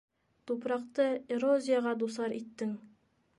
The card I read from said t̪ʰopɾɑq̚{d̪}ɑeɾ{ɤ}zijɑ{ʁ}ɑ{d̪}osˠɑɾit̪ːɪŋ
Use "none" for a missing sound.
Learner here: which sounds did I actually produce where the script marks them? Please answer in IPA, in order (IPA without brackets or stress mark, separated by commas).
t̪, o, ʁ, d̪